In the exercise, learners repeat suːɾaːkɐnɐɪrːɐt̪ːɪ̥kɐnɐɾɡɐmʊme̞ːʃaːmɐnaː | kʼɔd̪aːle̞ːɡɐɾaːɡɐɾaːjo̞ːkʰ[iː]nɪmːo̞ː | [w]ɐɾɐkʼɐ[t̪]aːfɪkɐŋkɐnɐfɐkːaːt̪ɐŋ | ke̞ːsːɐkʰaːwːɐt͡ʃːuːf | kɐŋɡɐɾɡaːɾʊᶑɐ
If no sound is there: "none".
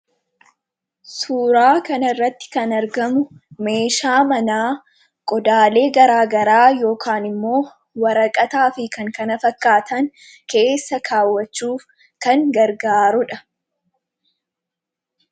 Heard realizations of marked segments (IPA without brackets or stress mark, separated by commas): aː, w, t̪